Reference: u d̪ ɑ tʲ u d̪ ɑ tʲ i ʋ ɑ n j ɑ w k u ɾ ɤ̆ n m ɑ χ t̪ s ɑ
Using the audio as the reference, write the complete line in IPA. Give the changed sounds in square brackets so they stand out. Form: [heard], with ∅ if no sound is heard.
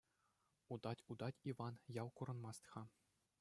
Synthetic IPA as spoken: u d̪ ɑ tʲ u d̪ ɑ tʲ i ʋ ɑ n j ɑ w k u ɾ ɤ̆ n m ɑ [s] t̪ [χ] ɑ